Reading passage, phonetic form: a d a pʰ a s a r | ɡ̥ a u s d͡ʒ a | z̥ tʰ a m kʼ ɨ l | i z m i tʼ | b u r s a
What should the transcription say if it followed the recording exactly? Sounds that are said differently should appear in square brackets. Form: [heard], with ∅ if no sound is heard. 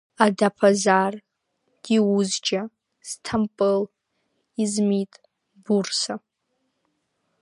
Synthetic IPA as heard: a d a pʰ a [z] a r | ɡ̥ [i] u [z] d͡ʒ a | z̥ tʰ a m [pʼ] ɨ l | i z m i tʼ | b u r s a